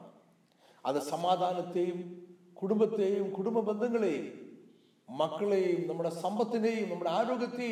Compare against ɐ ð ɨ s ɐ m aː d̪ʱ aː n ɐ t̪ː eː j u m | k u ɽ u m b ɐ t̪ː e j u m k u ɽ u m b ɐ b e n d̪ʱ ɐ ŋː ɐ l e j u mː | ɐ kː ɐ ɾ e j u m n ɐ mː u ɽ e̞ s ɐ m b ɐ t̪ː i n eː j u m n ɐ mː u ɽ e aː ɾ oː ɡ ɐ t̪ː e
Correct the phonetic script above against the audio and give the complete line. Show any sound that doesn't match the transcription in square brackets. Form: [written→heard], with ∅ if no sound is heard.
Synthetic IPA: ɐ ð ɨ s ɐ m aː d̪ʱ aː n ɐ t̪ː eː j u m | k u ɽ u m b ɐ t̪ː e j u m k u ɽ u m b ɐ b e n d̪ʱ ɐ ŋː ɐ [l→ɭ] e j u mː | ɐ kː ɐ [ɾ→ɭ] e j u m n ɐ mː u ɽ e̞ s ɐ m b ɐ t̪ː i n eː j u m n ɐ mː u ɽ e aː ɾ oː ɡ ɐ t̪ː e